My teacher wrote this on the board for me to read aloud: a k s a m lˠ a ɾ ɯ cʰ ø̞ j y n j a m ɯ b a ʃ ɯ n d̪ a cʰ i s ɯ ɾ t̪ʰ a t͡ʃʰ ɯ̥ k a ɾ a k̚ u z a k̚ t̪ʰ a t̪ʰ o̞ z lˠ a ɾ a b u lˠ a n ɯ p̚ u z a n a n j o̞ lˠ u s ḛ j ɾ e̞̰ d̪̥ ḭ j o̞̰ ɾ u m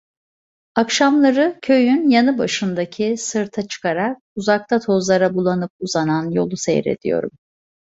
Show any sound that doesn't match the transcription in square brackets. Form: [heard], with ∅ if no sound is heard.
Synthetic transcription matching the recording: a k [ʃ] a m lˠ a ɾ ɯ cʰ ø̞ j y n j a [n] ɯ b a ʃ ɯ n d̪ a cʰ i s ɯ ɾ t̪ʰ a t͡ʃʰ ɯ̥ k a ɾ a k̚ u z a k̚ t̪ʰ a t̪ʰ o̞ z lˠ a ɾ a b u lˠ a n ɯ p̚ u z a n a n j o̞ lˠ u s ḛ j ɾ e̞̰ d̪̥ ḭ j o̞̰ ɾ u m